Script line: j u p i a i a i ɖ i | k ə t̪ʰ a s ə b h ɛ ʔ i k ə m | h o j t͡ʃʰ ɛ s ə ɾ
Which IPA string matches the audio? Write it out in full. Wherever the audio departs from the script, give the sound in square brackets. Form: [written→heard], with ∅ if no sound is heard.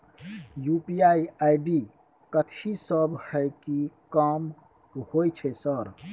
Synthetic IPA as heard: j u p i a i a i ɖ i | k ə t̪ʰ [a→i] s ə b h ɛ [ʔ→k] i k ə m | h o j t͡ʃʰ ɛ s ə ɾ